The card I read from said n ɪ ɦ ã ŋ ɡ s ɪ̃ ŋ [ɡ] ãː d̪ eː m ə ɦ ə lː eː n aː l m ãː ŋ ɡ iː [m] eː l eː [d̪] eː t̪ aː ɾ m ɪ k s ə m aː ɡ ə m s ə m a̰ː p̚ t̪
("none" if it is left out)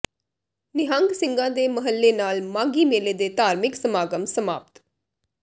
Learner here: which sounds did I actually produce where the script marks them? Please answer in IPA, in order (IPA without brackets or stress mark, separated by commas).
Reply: ɡ, m, d̪